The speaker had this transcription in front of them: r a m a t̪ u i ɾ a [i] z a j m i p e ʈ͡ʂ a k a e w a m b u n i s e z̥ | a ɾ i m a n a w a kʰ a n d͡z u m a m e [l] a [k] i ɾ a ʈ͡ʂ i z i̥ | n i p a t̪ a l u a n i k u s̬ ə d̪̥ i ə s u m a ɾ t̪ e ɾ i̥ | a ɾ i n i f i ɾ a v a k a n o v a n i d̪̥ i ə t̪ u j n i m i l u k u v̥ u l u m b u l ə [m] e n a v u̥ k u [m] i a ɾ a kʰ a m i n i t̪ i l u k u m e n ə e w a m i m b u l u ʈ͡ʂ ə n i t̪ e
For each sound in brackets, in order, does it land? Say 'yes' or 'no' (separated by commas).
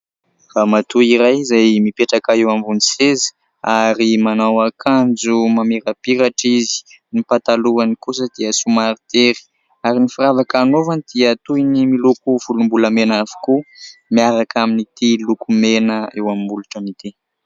no, no, no, yes, yes